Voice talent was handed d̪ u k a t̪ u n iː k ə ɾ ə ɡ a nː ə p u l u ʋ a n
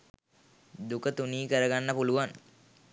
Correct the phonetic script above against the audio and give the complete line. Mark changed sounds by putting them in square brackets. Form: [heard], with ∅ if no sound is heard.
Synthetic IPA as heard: d̪ u k [ə] t̪ u n iː k ə ɾ ə ɡ a nː ə p u l u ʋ a n